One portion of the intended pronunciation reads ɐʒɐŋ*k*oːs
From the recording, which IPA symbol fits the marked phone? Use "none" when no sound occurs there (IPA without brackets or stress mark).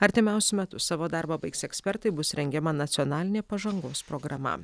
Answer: ɡ